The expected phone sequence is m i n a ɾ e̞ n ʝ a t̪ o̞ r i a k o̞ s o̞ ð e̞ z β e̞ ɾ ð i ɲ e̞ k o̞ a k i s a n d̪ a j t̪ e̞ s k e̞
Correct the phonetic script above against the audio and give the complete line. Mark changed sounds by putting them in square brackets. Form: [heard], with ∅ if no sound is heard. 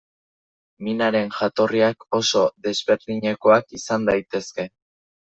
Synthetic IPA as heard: m i n a ɾ e̞ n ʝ a t̪ o̞ r i a k o̞ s o̞ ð e̞ z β e̞ ɾ ð i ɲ e̞ k o̞ a k i s a n d̪ a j t̪ e̞ s k e̞